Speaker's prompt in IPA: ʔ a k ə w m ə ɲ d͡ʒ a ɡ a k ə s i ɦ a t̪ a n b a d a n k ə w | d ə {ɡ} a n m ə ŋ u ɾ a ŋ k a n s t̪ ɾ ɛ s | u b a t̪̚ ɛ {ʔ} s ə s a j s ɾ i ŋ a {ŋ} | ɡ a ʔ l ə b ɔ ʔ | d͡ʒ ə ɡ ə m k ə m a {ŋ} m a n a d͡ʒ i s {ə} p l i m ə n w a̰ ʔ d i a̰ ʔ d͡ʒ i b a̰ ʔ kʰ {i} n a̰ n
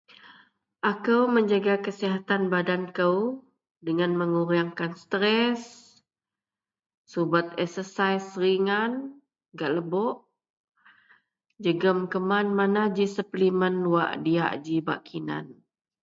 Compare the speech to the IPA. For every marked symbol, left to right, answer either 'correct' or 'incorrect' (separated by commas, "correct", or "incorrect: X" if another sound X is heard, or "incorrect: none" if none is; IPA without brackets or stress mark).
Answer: incorrect: ŋ, incorrect: k, incorrect: n, incorrect: n, correct, correct